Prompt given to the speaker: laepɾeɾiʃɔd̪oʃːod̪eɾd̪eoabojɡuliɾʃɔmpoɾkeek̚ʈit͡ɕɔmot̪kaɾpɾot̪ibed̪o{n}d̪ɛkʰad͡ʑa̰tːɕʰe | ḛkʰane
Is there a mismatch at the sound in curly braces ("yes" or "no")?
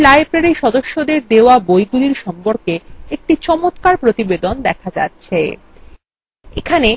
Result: no